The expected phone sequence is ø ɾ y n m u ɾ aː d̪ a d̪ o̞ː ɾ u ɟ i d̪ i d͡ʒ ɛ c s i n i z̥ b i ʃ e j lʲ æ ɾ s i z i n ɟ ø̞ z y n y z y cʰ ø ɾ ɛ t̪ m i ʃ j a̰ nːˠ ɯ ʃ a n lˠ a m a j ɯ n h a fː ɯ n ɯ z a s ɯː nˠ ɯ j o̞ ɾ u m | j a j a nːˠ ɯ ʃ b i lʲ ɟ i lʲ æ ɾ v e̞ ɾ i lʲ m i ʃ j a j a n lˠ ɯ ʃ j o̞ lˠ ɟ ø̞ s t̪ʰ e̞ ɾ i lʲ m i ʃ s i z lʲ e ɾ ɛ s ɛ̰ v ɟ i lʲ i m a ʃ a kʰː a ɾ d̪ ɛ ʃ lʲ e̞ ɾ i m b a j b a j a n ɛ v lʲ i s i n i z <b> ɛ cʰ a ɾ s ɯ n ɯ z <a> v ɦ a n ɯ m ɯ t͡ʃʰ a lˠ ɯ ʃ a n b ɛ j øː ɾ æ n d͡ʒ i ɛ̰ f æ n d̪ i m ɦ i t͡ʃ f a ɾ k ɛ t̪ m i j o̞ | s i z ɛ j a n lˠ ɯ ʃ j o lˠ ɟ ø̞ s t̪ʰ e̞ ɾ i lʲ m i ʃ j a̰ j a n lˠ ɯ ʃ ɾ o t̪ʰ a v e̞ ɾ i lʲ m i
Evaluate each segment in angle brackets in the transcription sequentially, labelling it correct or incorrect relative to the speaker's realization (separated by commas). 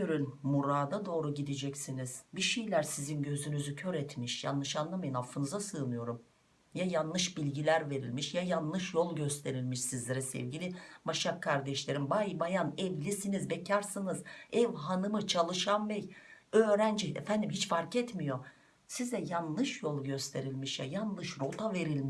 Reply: correct, incorrect